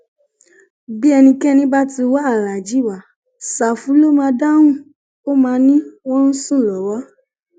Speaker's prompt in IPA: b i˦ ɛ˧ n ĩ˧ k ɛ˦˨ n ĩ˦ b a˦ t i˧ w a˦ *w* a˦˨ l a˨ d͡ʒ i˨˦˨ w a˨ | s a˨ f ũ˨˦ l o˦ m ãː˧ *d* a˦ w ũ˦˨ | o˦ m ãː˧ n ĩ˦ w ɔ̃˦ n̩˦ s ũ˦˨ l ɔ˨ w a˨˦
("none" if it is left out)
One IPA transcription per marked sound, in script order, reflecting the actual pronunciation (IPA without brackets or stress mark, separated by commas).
none, d